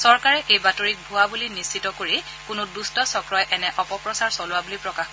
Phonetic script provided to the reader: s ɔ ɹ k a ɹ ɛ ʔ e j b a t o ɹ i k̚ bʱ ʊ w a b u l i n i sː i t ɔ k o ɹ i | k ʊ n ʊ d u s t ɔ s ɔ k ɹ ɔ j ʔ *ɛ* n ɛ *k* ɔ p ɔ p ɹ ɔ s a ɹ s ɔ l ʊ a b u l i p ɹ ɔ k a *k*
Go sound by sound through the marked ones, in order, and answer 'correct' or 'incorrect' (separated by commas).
correct, incorrect, incorrect